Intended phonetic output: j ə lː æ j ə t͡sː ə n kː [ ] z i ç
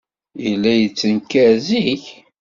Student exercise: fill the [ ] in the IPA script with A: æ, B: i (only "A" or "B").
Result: A